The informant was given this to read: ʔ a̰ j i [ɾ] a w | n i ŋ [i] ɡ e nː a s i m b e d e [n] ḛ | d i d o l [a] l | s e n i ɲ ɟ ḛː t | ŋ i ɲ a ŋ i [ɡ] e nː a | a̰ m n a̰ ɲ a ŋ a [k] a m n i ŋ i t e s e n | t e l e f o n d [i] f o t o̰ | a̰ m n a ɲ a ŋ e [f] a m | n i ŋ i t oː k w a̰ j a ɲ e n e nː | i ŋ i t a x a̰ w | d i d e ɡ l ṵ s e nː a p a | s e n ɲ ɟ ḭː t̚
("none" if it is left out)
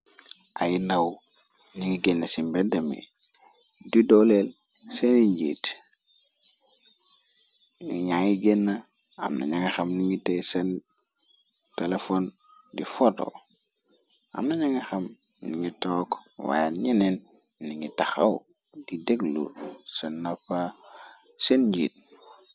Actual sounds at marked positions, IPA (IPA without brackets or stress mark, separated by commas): l, i, m, e, ɡ, x, i, x